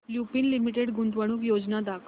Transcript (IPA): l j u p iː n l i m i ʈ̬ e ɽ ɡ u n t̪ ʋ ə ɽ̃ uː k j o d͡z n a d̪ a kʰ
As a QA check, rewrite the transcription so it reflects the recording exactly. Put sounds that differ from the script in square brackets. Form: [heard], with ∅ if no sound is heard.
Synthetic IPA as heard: l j u p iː n l i m i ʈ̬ e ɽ ɡ u n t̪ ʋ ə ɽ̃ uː k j o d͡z n a d̪ a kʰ